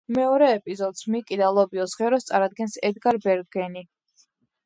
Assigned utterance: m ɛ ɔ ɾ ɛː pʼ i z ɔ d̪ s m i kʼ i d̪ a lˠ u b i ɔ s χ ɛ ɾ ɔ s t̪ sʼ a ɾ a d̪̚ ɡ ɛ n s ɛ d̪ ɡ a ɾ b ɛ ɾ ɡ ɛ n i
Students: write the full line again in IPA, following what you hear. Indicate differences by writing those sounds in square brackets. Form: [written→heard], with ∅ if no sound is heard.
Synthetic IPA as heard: m ɛ ɔ ɾ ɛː pʼ i z ɔ d̪ s m i kʼ i d̪ a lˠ [u→ɔ] b i ɔ s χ ɛ ɾ ɔ s t̪ sʼ a ɾ a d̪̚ ɡ ɛ n s ɛ d̪ ɡ a ɾ b ɛ ɾ ɡ ɛ n i